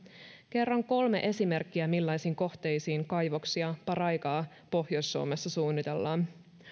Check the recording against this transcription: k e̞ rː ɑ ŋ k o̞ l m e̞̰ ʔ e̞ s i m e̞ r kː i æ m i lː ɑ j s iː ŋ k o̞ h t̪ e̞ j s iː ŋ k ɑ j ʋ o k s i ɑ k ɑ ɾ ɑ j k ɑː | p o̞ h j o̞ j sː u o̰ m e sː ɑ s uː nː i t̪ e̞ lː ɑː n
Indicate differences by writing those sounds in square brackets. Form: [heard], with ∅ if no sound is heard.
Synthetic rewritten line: k e̞ rː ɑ ŋ k o̞ l m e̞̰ ʔ e̞ s i m e̞ r kː i æ m i lː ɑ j s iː ŋ k o̞ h t̪ e̞ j s iː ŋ k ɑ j ʋ o k s i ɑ [p] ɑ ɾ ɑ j k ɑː | p o̞ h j o̞ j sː u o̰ m e sː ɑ s uː nː i t̪ e̞ lː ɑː n